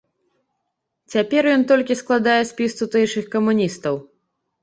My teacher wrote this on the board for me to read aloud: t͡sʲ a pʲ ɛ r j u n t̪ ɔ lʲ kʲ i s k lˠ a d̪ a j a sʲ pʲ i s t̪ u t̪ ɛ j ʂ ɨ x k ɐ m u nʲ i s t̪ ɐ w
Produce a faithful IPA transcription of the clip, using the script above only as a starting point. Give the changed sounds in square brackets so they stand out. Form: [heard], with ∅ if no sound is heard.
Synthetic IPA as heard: t͡sʲ a pʲ ɛ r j [ɔ] n t̪ ɔ lʲ kʲ i s k lˠ a d̪ a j [ɛ] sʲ pʲ i s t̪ u t̪ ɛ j ʂ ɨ x k ɐ m u nʲ i s t̪ ɐ w